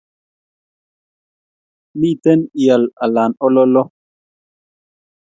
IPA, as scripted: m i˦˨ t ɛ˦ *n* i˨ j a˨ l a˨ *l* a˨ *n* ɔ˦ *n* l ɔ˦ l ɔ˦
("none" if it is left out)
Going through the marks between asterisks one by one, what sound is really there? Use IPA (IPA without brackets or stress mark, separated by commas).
n, l, n, none